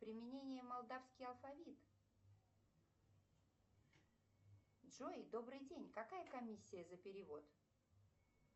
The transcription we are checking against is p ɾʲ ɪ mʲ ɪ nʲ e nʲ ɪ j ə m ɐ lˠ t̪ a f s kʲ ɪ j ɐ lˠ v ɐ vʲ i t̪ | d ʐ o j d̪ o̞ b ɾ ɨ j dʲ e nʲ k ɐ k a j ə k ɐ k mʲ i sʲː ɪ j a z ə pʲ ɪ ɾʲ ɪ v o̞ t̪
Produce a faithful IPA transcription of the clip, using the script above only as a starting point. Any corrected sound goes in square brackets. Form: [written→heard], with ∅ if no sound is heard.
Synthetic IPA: p ɾʲ ɪ mʲ ɪ nʲ e nʲ ɪ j ə m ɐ lˠ [t̪→d̪] a f s kʲ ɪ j ɐ lˠ [v→f] ɐ vʲ i t̪ | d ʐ o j d̪ o̞ b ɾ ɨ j dʲ e nʲ k ɐ k a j ə k ɐ [k→∅] mʲ i sʲː ɪ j [a→ə] z ə pʲ ɪ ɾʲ ɪ v o̞ t̪